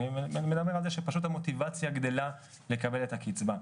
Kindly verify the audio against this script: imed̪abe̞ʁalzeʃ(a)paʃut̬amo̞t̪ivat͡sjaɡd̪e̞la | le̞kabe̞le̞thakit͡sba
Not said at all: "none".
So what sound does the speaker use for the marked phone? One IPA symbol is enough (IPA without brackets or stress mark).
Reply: e